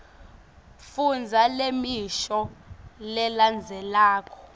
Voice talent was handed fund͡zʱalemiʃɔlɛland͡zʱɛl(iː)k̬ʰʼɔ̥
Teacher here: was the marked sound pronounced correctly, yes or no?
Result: no